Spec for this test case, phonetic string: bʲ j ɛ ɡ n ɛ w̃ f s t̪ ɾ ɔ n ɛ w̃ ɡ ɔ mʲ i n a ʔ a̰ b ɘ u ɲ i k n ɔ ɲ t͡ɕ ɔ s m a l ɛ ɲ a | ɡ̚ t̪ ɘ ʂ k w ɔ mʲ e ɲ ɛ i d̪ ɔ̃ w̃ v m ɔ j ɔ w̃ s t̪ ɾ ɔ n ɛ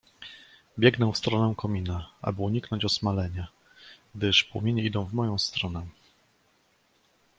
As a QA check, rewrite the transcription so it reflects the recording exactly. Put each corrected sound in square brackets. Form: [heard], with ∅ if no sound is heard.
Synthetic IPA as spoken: bʲ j ɛ ɡ n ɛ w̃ f s t̪ ɾ ɔ n ɛ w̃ [k] ɔ mʲ i n a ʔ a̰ b ɘ u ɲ i k n ɔ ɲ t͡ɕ ɔ s m a l ɛ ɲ a | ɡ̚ [d̪] ɘ ʂ [p] w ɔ mʲ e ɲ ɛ i d̪ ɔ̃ w̃ v m ɔ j [ɔ̃] w̃ s t̪ ɾ ɔ n ɛ